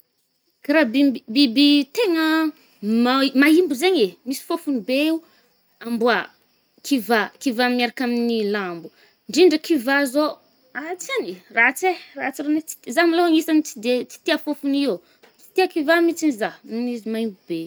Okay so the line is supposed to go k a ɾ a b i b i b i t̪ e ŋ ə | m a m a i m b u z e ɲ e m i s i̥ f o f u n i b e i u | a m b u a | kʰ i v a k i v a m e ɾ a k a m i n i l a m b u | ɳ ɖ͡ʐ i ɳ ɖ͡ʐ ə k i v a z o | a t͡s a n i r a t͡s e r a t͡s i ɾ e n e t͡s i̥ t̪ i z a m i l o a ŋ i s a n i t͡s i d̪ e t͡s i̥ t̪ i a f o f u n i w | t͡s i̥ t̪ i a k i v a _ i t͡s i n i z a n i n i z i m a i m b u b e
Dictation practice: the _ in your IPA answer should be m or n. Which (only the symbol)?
m